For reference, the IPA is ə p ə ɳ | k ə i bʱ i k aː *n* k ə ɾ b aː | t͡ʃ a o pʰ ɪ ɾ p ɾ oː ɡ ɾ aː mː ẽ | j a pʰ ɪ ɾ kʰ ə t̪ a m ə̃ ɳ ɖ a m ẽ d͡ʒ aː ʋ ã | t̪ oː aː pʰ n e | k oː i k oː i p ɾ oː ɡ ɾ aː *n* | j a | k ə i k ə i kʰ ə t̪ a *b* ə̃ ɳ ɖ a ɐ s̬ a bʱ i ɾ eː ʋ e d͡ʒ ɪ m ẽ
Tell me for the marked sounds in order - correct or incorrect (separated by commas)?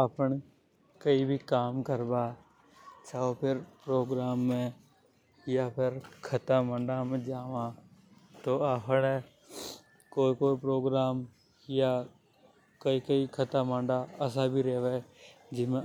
incorrect, incorrect, incorrect